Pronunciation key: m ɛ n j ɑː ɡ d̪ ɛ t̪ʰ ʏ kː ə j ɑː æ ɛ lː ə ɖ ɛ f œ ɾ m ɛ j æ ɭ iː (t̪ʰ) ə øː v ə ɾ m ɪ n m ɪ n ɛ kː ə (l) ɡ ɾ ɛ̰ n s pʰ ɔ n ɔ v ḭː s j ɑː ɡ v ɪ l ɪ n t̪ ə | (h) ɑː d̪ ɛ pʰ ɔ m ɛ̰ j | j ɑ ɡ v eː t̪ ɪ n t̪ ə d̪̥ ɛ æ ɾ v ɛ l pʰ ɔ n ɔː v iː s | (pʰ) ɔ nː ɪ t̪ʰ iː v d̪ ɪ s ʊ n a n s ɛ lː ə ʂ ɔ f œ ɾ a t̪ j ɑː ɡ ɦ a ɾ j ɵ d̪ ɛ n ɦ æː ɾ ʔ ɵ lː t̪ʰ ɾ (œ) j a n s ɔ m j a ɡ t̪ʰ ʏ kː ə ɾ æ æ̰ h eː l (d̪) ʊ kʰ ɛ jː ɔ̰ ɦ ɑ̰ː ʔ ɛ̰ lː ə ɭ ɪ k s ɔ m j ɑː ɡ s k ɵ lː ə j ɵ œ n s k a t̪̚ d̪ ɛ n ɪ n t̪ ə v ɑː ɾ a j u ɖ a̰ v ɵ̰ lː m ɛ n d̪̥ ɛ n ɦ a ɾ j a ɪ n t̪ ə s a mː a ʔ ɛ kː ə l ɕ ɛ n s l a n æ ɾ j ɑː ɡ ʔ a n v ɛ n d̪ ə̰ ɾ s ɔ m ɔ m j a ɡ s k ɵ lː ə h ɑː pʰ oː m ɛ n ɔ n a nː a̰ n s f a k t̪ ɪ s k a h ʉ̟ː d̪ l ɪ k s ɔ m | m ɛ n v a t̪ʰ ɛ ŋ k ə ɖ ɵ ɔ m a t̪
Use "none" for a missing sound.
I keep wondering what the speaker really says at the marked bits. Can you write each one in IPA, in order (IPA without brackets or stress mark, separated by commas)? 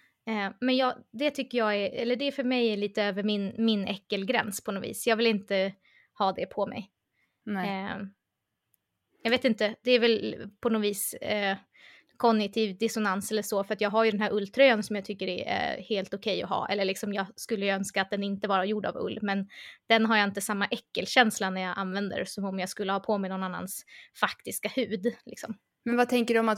t̪, l, h, kʰ, œ, t̪